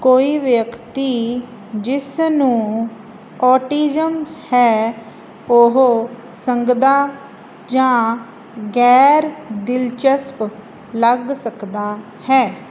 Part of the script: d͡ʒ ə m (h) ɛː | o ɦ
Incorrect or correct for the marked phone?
correct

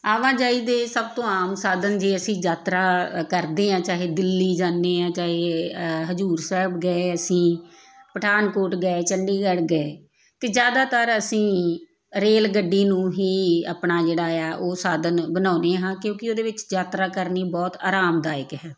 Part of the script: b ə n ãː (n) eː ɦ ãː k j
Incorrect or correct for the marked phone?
correct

